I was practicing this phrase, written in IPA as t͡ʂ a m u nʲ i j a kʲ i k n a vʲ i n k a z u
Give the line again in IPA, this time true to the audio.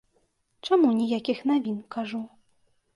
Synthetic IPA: t͡ʂ a m u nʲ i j a kʲ i x n a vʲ i n k a ʐ u